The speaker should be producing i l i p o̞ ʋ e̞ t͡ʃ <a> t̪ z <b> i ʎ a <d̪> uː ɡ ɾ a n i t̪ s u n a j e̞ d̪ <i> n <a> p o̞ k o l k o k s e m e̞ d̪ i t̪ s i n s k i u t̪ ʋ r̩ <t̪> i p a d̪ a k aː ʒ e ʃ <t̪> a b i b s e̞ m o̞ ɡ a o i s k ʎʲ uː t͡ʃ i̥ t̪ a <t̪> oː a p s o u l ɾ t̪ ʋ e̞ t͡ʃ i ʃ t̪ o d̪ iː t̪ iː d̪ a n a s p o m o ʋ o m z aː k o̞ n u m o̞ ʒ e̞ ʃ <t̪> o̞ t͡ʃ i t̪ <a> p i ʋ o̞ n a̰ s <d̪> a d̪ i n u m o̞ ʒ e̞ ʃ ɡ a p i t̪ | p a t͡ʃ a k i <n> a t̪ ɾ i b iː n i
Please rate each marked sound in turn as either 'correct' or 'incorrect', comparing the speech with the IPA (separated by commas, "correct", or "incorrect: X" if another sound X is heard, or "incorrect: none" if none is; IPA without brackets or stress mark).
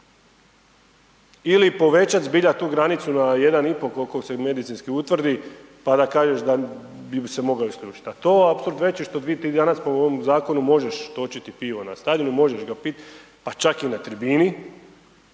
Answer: correct, correct, incorrect: t̪, incorrect: a, incorrect: i, incorrect: d̪, incorrect: d̪, correct, correct, incorrect: i, incorrect: t̪, correct